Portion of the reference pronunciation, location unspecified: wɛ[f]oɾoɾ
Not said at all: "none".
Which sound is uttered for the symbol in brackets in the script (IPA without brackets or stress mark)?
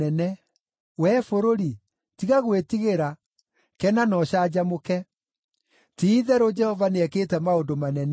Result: f